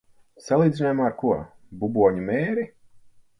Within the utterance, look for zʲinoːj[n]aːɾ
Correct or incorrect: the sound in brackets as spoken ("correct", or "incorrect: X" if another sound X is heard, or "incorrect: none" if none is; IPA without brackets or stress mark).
incorrect: m